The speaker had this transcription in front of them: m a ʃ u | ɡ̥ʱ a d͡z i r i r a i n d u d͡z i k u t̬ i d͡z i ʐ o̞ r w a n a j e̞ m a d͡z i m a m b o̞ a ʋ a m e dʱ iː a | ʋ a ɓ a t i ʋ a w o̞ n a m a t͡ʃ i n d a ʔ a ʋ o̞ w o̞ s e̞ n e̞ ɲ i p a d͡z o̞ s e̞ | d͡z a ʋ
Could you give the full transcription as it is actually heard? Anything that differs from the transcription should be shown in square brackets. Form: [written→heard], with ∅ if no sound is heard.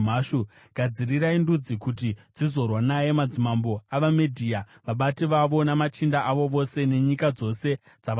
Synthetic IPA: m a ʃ u | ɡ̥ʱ a d͡z i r i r a i n d u d͡z i k u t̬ i d͡z i [ʐ→z] o̞ r w a n a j e̞ m a d͡z i m a m b o̞ a ʋ a m e dʱ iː a | ʋ a ɓ a t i ʋ a [w→ʋ] o̞ n a m a t͡ʃ i n d a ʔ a ʋ o̞ [w→ʋ] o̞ s e̞ n e̞ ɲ i [p→k] a d͡z o̞ s e̞ | d͡z a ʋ